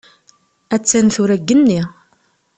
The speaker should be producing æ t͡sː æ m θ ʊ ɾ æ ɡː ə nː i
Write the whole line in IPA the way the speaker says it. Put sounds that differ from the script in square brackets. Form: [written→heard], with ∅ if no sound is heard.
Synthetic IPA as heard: æ t͡sː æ [m→n] θ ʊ ɾ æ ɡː ə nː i

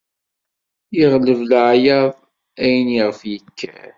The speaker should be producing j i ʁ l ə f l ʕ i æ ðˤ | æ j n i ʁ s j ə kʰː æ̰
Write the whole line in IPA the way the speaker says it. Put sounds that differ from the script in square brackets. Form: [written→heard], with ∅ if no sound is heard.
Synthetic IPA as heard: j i ʁ l ə [f→v] l ʕ [i→j] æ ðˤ | æ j n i ʁ [s→f] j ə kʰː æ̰

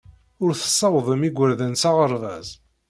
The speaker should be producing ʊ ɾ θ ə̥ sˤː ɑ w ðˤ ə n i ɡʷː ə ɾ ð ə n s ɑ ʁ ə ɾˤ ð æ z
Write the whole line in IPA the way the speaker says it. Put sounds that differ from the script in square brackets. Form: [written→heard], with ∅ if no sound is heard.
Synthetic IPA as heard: ʊ ɾ θ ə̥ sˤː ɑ w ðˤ ə [n→m] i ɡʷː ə ɾ ð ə n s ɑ ʁ ə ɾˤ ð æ z

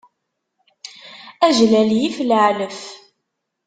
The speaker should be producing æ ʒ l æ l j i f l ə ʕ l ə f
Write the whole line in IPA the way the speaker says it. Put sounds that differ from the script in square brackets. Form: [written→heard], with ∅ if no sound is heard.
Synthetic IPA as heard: æ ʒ l æ l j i f l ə ʕ l ə f

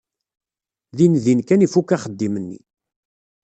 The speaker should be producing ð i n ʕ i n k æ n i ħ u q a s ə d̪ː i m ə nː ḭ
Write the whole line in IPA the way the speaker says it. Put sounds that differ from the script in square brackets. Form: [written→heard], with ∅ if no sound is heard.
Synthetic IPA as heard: ð i n [ʕ→ð] i n k æ n i [ħ→f] u [q→k] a [s→χ] ə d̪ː i m ə nː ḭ

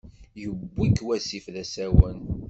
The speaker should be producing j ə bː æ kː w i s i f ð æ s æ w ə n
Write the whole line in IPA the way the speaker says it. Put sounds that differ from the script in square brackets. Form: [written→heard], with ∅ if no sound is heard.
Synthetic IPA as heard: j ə bː [æ→i] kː w [i→æ] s i f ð æ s æ w ə n

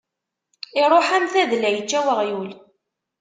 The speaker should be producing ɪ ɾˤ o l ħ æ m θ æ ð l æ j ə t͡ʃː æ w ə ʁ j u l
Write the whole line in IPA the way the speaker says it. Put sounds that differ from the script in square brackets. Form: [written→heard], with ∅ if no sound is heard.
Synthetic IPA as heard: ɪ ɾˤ o [l→∅] ħ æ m θ æ ð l æ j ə t͡ʃː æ w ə ʁ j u l

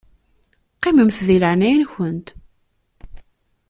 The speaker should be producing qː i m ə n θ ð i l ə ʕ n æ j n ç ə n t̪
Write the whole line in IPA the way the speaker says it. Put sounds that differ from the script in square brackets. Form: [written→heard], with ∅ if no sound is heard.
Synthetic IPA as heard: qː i m ə [n→m] θ ð i l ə ʕ n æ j n ç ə n t̪

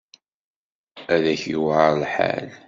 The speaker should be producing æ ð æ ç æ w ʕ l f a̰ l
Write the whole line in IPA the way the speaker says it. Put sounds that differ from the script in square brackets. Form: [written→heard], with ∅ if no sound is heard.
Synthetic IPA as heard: æ ð æ ç [æ→i] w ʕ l [f→ħ] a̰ l

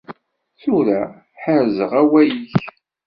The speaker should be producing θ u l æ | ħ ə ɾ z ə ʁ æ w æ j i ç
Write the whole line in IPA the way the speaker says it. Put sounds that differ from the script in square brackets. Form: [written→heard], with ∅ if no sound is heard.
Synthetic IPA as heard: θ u [l→ɾ] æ | ħ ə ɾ z ə ʁ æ w æ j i ç

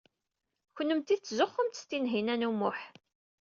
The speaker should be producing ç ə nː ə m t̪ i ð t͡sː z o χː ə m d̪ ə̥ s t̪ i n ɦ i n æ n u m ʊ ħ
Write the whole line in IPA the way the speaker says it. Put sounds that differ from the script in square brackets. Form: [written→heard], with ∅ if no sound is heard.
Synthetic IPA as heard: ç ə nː ə m t̪ i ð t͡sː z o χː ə m [d̪→t̪] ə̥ s t̪ i n ɦ i n æ n u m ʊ ħ

